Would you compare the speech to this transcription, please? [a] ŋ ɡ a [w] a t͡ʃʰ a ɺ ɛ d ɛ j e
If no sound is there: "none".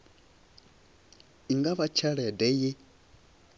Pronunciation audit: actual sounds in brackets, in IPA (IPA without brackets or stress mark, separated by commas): i, β